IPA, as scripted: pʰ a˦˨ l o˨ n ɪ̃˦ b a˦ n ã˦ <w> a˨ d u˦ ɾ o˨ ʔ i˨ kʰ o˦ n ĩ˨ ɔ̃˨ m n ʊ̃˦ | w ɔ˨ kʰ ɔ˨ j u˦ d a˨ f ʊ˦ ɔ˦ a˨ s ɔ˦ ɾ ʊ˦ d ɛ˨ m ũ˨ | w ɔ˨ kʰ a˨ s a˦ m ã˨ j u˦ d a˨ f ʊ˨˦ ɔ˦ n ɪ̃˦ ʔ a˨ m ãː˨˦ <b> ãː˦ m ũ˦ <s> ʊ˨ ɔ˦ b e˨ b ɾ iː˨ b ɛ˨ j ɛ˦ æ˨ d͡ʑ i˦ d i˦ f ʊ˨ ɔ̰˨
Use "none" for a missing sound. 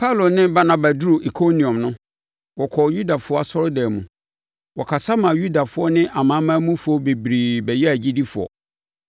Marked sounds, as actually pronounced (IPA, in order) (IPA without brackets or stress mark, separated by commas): b, m, f